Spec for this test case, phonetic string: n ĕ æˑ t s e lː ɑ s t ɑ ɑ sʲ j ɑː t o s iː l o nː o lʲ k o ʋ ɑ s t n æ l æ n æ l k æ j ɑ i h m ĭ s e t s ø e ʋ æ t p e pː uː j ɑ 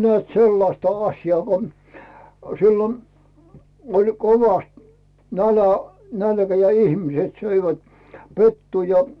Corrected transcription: n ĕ æˑ t s e lː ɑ s t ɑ ɑ sʲ j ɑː k o s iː l o n o lʲ k o ʋ ɑ s t n æ l æ n æ l k æ j ɑ i h m ĭ s e t s ø i ʋ æ t p e tː uː j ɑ